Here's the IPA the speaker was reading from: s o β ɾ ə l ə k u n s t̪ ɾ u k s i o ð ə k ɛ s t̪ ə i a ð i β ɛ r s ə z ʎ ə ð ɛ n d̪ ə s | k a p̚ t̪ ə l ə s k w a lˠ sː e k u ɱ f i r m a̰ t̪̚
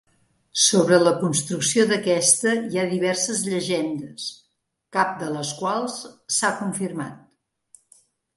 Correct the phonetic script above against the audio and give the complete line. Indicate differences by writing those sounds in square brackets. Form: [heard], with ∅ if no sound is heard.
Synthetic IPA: s o β ɾ ə l ə k u n s t̪ ɾ u k s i o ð ə k ɛ s t̪ ə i a ð i β ɛ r s ə z ʎ ə [ʒ] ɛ n d̪ ə s | k a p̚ [d̪] ə l ə s k w a lˠ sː [a] k u ɱ f i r m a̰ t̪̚